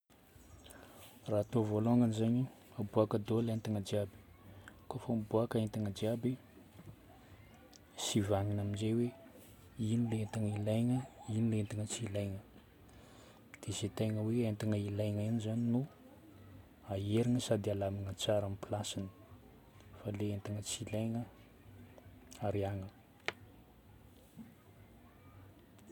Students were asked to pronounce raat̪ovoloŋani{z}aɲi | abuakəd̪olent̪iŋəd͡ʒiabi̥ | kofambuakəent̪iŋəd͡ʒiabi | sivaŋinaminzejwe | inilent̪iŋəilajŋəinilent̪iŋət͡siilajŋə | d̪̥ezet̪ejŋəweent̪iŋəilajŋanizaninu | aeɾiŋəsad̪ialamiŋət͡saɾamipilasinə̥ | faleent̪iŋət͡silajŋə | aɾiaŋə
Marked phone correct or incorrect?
correct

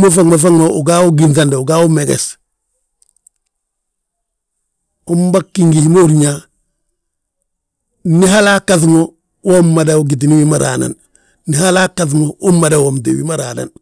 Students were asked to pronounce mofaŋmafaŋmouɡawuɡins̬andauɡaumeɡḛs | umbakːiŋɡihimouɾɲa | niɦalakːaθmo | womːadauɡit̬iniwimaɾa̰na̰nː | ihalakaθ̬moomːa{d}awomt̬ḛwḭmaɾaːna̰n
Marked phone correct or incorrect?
correct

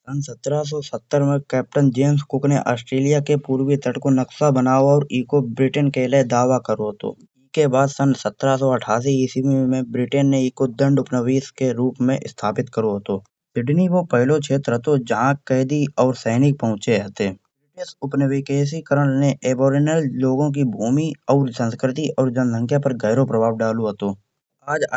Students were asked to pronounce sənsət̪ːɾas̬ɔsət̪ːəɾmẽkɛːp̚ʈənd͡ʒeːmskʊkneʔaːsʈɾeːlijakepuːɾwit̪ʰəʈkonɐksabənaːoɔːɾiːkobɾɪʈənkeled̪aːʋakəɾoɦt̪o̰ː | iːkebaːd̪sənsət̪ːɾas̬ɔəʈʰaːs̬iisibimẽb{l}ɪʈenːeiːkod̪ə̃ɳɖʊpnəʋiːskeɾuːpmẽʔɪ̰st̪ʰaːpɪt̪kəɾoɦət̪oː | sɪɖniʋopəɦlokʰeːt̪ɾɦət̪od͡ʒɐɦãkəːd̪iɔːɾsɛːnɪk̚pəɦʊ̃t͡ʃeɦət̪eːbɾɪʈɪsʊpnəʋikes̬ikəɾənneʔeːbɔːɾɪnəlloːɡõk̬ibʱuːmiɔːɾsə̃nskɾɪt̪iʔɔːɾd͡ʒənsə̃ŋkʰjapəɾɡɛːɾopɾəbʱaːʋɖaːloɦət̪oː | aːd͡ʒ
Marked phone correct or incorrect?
incorrect: ɾ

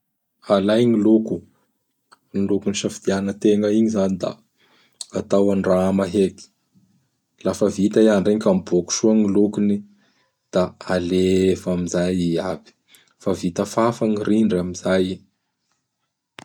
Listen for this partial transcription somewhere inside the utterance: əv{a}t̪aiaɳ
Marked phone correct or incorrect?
incorrect: i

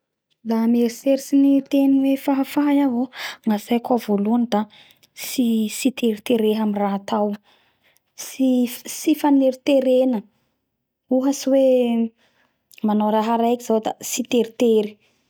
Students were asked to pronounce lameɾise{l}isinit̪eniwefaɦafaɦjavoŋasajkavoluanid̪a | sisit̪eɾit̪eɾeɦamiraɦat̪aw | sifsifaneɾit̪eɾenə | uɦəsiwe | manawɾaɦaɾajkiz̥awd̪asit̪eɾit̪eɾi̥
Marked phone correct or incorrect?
incorrect: ɾ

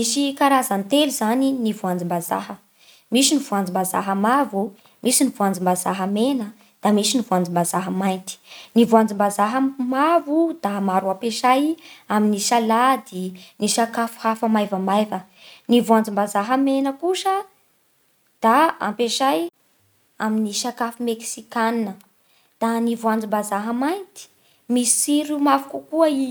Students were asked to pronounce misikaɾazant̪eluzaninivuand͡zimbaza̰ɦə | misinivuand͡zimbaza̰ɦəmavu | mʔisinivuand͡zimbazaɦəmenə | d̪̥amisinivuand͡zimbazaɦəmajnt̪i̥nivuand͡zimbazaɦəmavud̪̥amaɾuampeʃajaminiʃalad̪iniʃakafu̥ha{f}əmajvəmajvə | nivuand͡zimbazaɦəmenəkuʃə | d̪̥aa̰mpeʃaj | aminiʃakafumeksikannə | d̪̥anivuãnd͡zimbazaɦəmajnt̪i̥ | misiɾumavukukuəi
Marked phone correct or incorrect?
correct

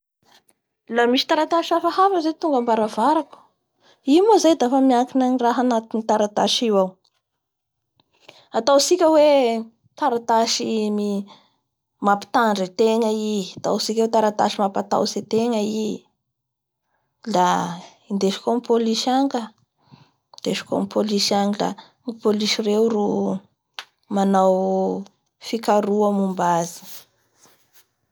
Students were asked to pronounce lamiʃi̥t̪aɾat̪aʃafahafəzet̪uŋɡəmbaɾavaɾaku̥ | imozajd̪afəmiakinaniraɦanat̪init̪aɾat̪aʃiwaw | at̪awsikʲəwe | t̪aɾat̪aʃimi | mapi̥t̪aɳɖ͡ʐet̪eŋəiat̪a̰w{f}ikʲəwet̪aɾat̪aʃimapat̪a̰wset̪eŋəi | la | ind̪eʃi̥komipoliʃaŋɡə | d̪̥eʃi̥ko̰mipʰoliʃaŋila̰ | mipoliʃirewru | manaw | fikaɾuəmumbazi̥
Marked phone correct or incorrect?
incorrect: s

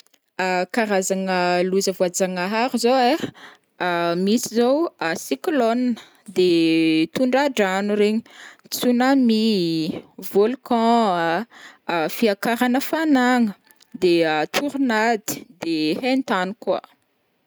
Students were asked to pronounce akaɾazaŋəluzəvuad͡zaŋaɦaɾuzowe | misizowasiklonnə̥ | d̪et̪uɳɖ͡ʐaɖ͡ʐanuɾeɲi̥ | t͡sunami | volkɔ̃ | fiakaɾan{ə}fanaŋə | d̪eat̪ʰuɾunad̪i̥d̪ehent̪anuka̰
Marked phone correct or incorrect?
correct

